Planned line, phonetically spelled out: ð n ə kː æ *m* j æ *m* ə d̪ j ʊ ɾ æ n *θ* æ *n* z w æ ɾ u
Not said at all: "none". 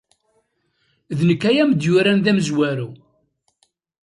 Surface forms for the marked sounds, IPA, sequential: none, m, ð, m

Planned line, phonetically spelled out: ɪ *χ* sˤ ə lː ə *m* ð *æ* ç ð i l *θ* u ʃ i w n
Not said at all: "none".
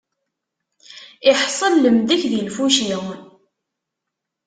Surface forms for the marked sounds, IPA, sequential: ħ, m, æ, f

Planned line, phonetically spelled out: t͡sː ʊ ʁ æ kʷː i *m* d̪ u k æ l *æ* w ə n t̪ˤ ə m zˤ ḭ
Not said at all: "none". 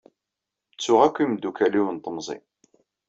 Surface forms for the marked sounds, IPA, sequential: m, i

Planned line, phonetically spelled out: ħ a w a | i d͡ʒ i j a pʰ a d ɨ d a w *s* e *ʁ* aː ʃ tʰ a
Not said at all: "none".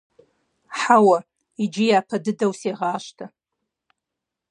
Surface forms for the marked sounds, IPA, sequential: s, ʁ

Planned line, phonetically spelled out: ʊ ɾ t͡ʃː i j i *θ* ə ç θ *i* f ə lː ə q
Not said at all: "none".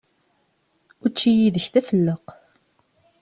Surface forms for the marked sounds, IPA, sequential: ð, æ

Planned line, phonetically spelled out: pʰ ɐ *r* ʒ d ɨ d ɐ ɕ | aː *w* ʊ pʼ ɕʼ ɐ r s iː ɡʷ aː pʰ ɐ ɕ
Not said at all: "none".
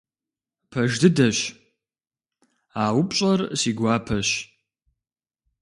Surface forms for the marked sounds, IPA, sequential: none, w

